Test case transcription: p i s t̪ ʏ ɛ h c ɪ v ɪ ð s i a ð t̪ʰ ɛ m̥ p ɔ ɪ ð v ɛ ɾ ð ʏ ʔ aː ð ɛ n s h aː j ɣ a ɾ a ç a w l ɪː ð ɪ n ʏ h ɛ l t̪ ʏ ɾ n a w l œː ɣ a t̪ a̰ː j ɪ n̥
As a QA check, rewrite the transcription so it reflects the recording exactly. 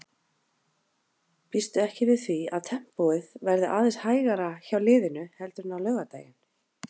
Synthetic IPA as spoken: p i s t̪ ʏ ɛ h c ɪ v ɪ ð θ i a ð t̪ʰ ɛ m̥ p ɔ ɪ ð v ɛ ɾ ð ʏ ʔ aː ð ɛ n s h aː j ɣ a ɾ a ç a w l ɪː ð ɪ n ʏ h ɛ l t̪ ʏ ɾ n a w l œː ɣ a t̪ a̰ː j ɪ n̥